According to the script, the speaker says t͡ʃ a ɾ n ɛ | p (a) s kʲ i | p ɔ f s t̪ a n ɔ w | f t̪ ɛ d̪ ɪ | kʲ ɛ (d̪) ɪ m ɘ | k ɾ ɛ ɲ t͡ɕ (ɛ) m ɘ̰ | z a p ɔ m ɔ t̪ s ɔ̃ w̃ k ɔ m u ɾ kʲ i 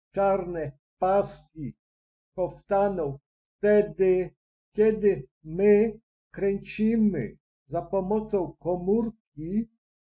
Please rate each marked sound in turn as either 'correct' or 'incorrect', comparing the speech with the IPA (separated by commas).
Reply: correct, correct, incorrect